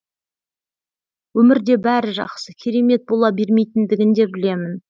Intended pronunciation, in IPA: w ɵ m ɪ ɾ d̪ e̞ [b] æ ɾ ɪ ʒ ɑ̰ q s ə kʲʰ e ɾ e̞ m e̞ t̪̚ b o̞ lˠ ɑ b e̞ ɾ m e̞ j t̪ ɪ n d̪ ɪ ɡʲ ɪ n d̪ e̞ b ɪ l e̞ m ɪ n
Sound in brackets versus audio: correct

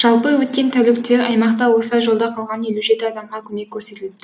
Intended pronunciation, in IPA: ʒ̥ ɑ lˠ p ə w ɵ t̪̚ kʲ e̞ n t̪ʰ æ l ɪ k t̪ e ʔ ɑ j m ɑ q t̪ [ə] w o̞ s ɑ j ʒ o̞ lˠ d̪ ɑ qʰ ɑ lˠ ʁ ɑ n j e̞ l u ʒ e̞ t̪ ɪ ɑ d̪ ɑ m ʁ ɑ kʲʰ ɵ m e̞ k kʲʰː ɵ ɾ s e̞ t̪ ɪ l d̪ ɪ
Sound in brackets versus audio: incorrect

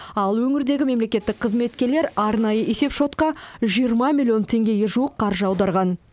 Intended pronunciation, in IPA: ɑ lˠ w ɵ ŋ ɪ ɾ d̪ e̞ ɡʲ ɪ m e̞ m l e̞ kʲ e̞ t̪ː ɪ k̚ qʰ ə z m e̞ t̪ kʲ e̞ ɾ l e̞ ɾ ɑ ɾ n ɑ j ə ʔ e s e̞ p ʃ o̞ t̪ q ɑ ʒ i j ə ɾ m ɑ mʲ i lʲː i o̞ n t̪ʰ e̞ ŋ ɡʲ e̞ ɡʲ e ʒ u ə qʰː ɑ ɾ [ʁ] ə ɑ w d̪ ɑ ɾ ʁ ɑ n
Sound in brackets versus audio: incorrect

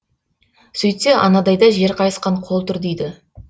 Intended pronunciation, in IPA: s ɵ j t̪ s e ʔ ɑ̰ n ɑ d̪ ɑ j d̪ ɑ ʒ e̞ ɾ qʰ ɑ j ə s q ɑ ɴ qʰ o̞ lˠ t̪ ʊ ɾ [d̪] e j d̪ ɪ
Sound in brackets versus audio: correct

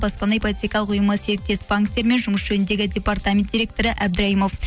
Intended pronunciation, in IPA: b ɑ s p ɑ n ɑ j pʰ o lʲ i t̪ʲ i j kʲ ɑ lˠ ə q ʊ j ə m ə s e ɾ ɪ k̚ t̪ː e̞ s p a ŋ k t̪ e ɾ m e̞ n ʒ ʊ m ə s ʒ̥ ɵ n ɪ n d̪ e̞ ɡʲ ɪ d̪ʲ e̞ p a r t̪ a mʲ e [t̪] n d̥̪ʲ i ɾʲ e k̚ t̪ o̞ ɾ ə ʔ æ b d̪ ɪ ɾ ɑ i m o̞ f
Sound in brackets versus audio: incorrect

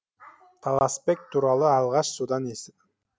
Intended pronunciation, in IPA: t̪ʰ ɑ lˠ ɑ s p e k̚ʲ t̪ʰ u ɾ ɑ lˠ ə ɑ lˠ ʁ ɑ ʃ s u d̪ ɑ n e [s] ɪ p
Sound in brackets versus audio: correct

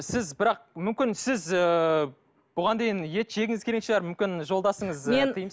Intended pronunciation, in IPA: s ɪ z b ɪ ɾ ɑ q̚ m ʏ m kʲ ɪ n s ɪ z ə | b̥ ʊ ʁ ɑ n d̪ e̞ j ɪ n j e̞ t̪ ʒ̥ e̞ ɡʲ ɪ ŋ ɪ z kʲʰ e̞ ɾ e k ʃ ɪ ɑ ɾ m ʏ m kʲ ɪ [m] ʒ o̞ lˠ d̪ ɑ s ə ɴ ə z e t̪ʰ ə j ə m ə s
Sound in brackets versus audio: incorrect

